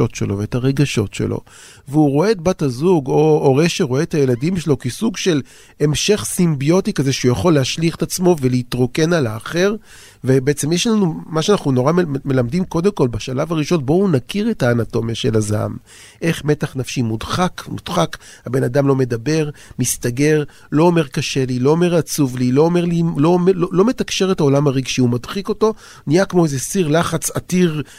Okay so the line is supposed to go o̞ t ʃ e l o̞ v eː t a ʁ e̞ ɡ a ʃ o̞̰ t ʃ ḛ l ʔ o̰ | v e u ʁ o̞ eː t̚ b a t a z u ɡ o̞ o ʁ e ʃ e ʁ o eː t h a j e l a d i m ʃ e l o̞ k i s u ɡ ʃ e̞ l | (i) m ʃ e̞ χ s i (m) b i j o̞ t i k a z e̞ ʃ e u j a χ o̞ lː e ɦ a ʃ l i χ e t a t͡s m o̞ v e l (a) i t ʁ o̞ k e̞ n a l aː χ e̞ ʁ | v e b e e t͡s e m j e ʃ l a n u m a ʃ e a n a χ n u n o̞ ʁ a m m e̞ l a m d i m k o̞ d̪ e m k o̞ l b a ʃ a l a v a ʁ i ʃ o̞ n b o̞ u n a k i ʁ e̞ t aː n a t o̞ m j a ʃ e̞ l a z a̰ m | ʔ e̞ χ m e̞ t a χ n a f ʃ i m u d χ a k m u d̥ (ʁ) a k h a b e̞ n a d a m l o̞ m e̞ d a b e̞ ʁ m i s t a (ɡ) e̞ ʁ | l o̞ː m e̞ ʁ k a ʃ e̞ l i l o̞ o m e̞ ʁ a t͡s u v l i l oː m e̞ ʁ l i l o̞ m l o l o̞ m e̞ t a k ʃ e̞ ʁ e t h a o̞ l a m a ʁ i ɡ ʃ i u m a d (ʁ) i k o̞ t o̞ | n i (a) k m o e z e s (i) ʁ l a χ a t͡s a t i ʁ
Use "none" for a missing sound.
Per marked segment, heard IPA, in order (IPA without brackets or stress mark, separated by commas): e, m, e, χ, ɡ, χ, a, i